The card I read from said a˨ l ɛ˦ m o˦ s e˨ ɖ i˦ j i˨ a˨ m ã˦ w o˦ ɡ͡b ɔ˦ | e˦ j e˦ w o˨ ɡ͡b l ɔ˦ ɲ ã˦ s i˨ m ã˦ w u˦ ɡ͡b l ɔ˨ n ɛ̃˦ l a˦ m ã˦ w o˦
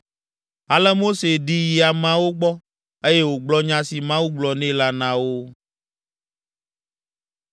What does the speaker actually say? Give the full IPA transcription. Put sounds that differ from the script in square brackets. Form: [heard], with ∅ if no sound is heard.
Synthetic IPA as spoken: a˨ l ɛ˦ m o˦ s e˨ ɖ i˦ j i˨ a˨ m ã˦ w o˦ ɡ͡b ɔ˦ | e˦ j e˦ w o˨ ɡ͡b l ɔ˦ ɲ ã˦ s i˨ m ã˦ w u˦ ɡ͡b l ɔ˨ n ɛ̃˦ l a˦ [n] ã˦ w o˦